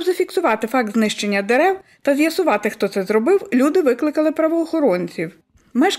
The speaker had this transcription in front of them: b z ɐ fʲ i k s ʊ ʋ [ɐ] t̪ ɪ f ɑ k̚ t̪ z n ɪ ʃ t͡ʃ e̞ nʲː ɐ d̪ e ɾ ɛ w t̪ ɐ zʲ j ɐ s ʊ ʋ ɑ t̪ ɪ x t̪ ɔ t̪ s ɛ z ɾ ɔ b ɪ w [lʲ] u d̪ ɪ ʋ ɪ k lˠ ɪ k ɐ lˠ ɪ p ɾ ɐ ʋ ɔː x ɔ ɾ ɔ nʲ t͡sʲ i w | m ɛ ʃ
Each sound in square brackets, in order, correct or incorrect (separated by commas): incorrect, correct